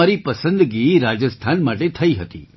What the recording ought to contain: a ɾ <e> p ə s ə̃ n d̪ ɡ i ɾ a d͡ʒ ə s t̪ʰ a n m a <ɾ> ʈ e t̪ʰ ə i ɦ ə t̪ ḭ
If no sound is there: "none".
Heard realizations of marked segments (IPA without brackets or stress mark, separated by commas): i, none